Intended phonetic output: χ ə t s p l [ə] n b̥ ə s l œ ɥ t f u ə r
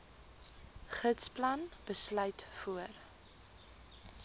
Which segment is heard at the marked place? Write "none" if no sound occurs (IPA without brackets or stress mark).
ɐ